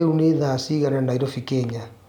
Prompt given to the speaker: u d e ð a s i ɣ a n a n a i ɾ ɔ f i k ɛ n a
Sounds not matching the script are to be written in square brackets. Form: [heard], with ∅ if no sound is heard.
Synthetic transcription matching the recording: u [n] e ð a s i ɣ a n a n a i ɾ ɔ f i k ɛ [ɲ] a